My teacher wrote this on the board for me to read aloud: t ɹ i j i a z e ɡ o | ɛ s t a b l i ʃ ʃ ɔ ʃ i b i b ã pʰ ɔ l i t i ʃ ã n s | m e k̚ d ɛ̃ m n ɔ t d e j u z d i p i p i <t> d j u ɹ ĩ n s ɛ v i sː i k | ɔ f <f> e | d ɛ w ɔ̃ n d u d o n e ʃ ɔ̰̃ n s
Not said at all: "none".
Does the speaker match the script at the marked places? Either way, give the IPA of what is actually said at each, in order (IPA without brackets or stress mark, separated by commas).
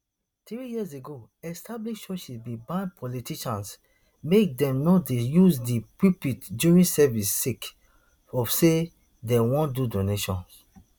t, s